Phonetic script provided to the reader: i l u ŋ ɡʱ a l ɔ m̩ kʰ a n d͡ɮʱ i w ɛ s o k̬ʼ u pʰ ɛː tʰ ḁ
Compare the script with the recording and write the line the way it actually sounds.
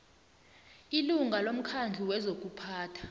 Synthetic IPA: i l u ŋ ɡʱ a l o m̩ kʰ a n d͡ɮʱ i w ɛ z o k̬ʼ u pʰ aː tʰ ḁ